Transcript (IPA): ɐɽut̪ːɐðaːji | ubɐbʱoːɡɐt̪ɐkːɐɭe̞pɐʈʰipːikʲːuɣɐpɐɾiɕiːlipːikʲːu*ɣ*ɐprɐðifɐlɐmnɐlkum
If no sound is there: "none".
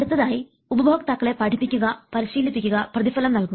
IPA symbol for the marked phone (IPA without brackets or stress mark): ɣ